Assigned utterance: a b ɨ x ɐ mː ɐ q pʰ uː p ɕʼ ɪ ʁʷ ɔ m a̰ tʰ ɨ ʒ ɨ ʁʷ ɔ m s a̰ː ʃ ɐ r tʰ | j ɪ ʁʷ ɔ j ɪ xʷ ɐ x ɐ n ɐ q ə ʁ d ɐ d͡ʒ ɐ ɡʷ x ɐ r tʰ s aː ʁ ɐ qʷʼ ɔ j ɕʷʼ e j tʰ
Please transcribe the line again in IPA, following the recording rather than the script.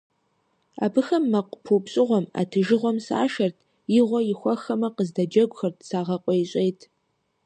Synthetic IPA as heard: a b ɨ x ɐ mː ɐ q pʰ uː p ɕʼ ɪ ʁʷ ɔ m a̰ tʰ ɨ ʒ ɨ ʁʷ ɔ m s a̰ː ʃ ɐ r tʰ | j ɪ ʁʷ ɔ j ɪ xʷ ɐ x ɐ m ɐ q ə z d ɐ d͡ʒ ɐ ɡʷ x ɐ r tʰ s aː ʁ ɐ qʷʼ ɔ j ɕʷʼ e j tʰ